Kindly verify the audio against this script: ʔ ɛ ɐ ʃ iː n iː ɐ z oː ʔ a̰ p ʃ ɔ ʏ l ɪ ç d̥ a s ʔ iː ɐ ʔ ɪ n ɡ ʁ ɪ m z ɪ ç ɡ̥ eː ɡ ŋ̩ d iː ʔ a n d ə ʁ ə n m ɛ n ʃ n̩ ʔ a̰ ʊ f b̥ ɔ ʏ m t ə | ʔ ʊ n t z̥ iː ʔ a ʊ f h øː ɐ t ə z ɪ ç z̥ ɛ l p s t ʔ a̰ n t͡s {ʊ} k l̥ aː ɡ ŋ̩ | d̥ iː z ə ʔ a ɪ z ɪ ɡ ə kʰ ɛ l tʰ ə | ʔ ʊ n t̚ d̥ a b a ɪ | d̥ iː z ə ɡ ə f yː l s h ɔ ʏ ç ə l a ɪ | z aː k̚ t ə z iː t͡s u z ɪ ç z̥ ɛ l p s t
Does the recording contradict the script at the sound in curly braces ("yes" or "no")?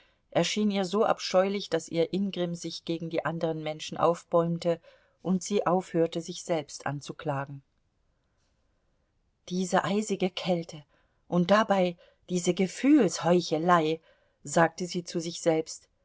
yes